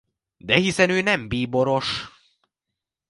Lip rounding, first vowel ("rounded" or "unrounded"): unrounded